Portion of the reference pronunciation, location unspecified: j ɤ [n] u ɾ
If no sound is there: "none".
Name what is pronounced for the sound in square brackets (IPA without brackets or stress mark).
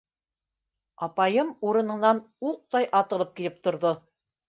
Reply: m